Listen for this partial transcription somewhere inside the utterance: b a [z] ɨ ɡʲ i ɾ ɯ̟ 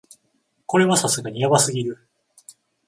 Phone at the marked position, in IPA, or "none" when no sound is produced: s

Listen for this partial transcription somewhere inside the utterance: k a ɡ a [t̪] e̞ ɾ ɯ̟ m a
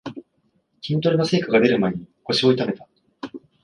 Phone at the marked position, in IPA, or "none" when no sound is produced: d̪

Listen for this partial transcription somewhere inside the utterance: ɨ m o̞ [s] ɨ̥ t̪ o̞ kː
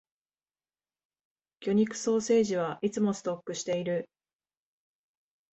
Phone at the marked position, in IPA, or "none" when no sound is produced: s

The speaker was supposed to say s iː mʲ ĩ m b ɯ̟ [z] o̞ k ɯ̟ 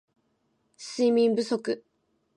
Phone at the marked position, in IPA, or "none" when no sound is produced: s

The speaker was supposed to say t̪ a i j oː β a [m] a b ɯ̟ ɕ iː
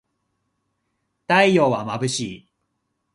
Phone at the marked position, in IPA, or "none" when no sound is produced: m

